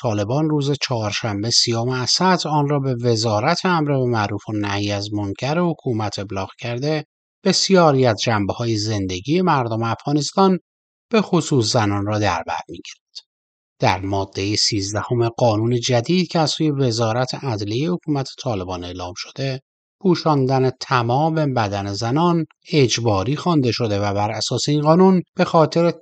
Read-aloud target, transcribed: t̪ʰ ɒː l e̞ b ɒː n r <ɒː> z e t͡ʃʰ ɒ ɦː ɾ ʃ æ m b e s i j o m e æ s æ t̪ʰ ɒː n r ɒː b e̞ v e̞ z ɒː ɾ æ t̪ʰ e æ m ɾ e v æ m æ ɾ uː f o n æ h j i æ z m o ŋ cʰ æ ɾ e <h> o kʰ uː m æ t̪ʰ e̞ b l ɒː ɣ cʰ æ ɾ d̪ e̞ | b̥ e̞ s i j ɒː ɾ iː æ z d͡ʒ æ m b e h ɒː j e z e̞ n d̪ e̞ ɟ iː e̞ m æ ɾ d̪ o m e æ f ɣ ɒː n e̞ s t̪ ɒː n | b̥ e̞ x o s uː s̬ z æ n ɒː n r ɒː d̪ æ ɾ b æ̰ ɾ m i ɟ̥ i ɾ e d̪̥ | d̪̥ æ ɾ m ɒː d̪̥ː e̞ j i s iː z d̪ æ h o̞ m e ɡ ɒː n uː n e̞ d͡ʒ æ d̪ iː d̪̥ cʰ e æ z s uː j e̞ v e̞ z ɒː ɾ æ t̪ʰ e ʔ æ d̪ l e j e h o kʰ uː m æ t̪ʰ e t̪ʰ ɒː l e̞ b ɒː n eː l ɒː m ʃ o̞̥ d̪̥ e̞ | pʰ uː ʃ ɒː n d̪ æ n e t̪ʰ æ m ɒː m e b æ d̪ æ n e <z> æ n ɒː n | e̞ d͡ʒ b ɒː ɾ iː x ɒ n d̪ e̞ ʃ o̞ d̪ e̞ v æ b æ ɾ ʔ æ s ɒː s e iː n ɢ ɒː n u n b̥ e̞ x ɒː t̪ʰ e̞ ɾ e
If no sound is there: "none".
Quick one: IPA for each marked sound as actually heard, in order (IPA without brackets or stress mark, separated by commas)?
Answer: uː, h, z